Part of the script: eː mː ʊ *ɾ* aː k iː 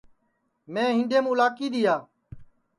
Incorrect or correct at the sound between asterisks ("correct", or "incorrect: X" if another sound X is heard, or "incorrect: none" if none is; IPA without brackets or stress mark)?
incorrect: l